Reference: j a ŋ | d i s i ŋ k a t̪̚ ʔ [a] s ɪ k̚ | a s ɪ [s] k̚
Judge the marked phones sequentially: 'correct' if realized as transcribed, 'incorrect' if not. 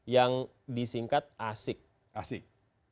correct, incorrect: none

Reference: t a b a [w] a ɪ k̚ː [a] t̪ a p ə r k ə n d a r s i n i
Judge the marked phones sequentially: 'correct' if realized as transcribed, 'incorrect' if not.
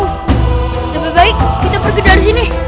incorrect: b, incorrect: i

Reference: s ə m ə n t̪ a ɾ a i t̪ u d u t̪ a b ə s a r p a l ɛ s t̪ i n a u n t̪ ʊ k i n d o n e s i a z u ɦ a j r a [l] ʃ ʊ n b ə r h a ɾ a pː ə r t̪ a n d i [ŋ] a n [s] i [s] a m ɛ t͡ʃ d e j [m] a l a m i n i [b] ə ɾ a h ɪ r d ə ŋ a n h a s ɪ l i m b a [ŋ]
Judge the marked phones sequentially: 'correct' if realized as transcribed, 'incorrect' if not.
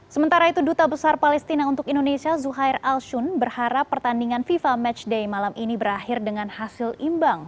correct, correct, incorrect: f, incorrect: f, correct, correct, correct

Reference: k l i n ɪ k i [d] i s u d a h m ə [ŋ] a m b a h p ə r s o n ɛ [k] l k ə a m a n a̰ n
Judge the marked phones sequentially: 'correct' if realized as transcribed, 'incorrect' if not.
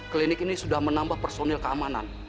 incorrect: n, incorrect: n, incorrect: none

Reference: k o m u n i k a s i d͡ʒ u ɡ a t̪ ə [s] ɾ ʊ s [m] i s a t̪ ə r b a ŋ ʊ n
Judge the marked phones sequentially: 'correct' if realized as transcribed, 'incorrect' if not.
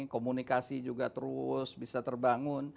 incorrect: none, incorrect: b

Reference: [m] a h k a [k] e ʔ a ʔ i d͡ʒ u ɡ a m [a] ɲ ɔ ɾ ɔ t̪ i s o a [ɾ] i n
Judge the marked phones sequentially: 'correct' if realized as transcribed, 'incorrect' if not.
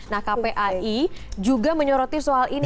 incorrect: n, incorrect: p, incorrect: ə, incorrect: l

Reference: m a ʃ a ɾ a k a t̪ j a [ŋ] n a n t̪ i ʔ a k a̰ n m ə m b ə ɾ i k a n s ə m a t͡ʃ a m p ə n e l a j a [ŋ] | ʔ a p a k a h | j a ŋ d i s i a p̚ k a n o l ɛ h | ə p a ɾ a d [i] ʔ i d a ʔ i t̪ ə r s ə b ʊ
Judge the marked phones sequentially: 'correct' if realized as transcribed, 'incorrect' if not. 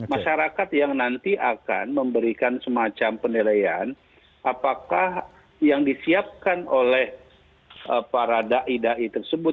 correct, incorrect: n, incorrect: a

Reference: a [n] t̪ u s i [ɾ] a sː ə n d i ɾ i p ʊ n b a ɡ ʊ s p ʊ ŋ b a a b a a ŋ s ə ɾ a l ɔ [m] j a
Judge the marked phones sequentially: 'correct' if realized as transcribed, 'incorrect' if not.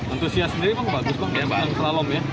correct, incorrect: none, correct

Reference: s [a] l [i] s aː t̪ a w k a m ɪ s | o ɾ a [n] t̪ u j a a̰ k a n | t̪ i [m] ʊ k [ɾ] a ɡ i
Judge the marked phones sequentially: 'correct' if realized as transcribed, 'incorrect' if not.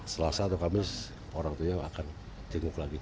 incorrect: ə, incorrect: a, incorrect: ŋ, incorrect: ŋ, incorrect: l

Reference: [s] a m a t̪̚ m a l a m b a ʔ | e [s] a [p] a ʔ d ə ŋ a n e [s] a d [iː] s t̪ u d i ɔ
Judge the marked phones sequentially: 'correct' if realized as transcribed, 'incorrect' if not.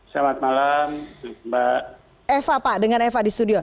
correct, incorrect: f, correct, incorrect: f, incorrect: i

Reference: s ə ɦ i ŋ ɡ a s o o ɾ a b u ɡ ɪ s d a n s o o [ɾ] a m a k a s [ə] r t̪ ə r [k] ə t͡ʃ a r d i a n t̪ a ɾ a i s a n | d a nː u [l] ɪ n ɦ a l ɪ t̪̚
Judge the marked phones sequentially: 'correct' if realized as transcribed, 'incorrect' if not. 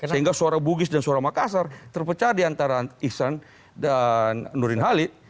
correct, incorrect: a, incorrect: p, incorrect: ɾ

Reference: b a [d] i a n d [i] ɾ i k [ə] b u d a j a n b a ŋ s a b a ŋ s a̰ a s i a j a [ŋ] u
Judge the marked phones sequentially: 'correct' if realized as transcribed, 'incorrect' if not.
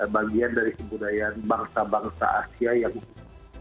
incorrect: ɡ, incorrect: a, correct, correct

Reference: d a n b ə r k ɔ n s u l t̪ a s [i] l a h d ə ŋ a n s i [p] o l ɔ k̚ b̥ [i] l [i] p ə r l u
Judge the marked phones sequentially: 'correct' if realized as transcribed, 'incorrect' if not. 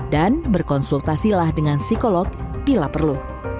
correct, incorrect: k, correct, incorrect: a

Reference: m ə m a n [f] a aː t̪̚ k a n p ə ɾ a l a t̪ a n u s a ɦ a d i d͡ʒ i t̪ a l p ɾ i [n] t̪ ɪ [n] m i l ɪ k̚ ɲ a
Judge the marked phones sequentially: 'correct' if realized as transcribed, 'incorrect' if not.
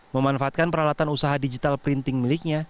correct, correct, incorrect: ŋ

